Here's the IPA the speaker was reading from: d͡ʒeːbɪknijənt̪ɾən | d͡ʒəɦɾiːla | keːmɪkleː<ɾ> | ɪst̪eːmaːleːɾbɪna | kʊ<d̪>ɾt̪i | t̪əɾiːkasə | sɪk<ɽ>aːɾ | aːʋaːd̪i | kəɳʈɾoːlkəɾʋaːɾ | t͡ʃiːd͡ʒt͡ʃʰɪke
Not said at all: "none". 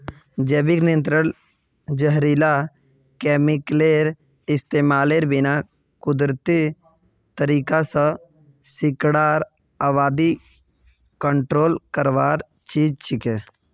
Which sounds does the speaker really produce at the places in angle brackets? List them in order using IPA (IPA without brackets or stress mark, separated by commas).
ɾ, d̪, ɽ